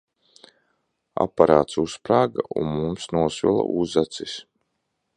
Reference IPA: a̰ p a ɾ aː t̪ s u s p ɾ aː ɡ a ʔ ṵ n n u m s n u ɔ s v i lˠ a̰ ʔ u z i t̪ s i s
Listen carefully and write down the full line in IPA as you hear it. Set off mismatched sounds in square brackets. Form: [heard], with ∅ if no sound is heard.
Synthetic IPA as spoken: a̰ p a ɾ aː t̪ s u s p ɾ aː ɡ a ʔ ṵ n [m] u m s n u ɔ s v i lˠ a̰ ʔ u z [a] t̪ s i s